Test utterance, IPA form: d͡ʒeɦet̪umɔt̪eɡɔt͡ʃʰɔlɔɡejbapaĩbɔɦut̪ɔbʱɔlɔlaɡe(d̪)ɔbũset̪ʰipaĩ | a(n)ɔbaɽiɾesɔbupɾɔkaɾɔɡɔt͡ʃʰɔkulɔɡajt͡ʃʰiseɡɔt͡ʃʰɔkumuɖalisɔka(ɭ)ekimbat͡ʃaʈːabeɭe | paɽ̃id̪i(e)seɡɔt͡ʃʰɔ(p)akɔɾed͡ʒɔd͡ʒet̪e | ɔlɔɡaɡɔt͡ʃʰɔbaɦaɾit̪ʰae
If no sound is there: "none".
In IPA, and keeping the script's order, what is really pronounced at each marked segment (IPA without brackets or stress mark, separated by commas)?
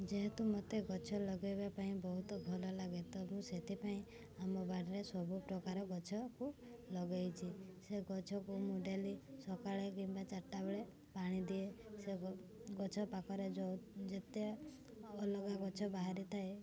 t̪, m, ɭ, e, p